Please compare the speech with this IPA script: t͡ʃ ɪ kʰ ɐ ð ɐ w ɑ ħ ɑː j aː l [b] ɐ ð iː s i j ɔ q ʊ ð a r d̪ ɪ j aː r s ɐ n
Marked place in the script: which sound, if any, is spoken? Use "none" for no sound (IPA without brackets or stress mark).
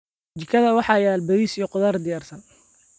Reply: b